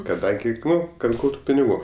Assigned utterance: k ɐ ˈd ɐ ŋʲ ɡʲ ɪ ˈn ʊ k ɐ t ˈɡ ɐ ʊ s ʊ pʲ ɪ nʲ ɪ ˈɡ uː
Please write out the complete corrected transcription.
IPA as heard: k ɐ ˈd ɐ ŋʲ ɡʲ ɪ ˈn ʊ k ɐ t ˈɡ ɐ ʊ t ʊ pʲ ɪ nʲ ɪ ˈɡ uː